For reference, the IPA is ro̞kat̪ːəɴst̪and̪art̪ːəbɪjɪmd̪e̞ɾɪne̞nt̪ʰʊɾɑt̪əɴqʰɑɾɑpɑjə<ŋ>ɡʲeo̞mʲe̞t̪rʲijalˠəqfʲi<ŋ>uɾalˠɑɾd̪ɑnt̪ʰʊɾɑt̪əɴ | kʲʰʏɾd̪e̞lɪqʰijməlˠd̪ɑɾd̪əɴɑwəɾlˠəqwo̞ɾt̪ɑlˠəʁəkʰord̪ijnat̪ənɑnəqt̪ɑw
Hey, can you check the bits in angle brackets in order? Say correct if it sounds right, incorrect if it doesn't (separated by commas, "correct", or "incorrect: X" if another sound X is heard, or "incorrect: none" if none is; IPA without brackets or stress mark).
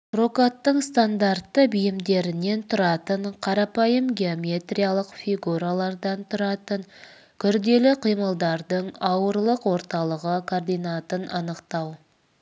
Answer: incorrect: m, incorrect: ɡ